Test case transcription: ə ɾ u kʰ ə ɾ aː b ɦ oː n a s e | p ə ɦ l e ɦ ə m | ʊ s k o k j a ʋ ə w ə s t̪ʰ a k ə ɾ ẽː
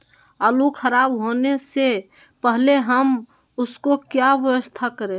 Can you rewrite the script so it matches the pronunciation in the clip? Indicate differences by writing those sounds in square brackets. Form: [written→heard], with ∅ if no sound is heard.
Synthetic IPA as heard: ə [ɾ→l] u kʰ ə ɾ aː b ɦ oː n [a→e] s e | p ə ɦ l e ɦ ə m | ʊ s k o k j a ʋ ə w ə s t̪ʰ a k ə ɾ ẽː